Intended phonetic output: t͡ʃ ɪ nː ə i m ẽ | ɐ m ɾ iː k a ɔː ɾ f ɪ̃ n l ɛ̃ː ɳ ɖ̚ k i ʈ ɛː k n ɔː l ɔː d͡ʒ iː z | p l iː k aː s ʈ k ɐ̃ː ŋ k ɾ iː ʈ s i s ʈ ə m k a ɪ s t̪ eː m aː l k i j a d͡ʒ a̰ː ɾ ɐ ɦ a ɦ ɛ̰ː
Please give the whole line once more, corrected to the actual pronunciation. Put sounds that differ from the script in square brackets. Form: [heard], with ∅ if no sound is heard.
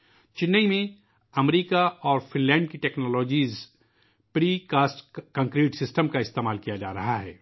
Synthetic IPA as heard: t͡ʃ ɪ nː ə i m ẽ | ɐ m ɾ iː k a ɔː ɾ f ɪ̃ n l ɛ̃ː ɳ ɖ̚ k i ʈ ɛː k n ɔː l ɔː d͡ʒ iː z | p [ɾ] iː k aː s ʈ k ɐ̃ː ŋ k ɾ iː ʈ s [ɪ] s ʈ ə m k a ɪ s t̪ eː m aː l k i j a d͡ʒ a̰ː ɾ ɐ ɦ a ɦ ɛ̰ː